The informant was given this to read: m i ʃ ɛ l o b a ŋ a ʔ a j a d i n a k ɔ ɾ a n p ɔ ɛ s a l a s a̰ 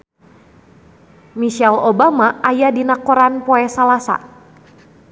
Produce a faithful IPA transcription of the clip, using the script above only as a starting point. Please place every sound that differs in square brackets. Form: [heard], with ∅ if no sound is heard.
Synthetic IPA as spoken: m i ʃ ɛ l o b a [m] a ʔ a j a d i n a k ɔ ɾ a n p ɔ ɛ s a l a s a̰